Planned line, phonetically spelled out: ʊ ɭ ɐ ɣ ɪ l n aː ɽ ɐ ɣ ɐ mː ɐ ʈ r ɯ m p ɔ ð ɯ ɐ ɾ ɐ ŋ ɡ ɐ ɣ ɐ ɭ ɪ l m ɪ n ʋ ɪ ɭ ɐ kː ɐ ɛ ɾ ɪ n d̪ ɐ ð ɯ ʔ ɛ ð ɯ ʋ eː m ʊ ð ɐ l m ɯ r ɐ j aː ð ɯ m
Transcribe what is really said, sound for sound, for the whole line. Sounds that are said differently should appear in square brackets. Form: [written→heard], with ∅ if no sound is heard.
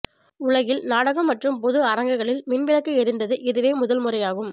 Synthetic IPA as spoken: ʊ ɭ ɐ ɣ ɪ l n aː ɽ ɐ ɣ ɐ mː ɐ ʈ r ɯ m p ɔ ð ɯ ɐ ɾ ɐ ŋ ɡ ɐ ɣ ɐ ɭ ɪ l m ɪ n ʋ ɪ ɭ ɐ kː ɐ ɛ ɾ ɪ n d̪ ɐ ð ɯ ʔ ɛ ð ɯ ʋ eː m ʊ ð ɐ l m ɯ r ɐ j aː [ð→ɣ] ɯ m